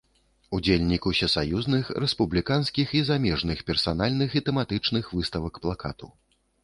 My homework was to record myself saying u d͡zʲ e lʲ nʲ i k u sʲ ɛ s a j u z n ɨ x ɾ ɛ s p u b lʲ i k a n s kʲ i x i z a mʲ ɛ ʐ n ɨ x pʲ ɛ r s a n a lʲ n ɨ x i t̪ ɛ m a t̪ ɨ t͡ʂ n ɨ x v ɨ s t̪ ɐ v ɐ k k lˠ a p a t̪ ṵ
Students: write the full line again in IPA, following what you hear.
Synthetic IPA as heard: u d͡zʲ e lʲ nʲ i k u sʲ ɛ s a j u z n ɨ x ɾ ɛ s p u b lʲ i k a n s kʲ i x i z a mʲ ɛ ʐ n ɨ x pʲ ɛ r s a n a lʲ n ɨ x i t̪ ɛ m a t̪ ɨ t͡ʂ n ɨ x v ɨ s t̪ ɐ v ɐ k p lˠ a k a t̪ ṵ